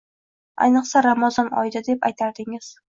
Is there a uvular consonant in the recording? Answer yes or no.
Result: yes